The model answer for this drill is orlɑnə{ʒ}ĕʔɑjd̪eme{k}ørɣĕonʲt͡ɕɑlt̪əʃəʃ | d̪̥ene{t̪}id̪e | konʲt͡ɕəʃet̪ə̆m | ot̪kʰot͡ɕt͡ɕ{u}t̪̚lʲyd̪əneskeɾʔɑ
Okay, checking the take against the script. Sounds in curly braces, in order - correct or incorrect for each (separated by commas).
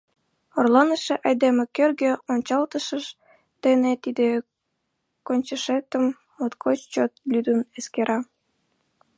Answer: incorrect, correct, correct, incorrect